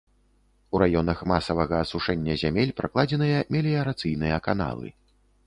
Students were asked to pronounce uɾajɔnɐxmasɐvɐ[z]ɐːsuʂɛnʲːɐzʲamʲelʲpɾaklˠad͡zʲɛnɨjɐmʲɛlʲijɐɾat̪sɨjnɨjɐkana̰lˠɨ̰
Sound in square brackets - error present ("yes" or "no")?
yes